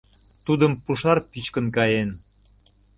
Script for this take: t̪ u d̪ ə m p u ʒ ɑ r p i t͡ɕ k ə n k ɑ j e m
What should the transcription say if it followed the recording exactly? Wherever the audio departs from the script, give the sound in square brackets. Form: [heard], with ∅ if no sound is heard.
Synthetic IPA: t̪ u d̪ ə m p u [ʃ] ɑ r p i t͡ɕ k ə n k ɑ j e [n]